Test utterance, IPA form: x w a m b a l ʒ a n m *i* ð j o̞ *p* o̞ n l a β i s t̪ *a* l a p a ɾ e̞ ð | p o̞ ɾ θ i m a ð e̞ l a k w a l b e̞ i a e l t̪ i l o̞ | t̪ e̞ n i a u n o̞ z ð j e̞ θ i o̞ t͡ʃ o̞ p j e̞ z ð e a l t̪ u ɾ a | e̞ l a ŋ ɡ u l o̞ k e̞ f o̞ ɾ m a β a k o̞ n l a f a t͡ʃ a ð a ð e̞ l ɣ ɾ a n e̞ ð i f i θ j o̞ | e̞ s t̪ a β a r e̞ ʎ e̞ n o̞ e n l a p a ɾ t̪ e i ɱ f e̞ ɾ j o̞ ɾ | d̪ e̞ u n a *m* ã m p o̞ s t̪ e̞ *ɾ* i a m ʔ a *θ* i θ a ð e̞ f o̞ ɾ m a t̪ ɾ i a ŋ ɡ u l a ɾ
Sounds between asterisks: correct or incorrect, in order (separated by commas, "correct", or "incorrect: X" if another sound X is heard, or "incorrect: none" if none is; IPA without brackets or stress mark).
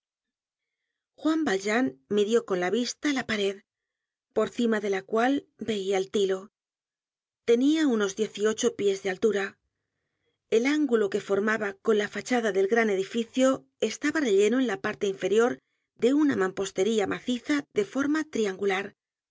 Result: correct, incorrect: k, correct, correct, correct, correct